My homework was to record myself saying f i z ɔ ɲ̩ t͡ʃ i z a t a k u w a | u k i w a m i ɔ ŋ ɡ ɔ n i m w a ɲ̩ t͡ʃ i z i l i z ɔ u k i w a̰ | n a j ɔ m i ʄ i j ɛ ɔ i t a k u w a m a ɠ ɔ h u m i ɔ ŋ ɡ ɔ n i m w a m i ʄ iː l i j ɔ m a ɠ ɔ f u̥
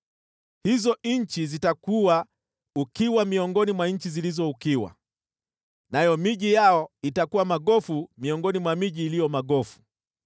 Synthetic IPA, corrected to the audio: h i z ɔ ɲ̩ t͡ʃ i z i t a k u w a | u k i w a m i ɔ ŋ ɡ ɔ n i m w a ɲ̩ t͡ʃ i z i l i z ɔ u k i w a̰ | n a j ɔ m i ʄ i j a ɔ i t a k u w a m a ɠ ɔ f u m i ɔ ŋ ɡ ɔ n i m w a m i ʄ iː l i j ɔ m a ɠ ɔ f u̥